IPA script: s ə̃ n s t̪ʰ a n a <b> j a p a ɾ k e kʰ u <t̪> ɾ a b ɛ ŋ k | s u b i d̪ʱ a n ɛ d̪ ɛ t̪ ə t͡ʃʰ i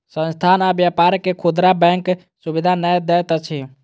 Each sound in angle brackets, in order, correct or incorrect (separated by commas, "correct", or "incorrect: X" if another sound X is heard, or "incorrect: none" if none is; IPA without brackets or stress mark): correct, incorrect: d̪